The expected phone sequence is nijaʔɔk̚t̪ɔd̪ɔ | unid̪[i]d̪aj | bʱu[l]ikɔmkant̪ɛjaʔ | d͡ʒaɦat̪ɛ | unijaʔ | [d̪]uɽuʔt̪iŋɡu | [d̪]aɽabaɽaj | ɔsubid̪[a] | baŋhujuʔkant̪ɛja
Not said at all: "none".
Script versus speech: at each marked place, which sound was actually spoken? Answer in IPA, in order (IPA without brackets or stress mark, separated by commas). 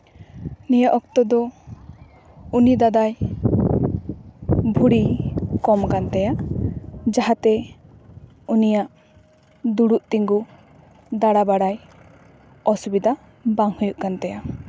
a, ɽ, d̪, d̪, a